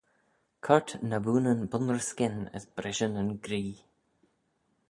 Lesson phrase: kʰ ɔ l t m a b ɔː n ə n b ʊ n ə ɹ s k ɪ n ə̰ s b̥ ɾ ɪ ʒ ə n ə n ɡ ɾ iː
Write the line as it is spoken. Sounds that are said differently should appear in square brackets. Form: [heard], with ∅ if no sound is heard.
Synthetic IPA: kʰ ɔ [ɹ] t [n] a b [uː] n ə n b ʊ n ə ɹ s k ɪ n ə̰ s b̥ ɾ ɪ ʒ ə n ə n ɡ ɾ iː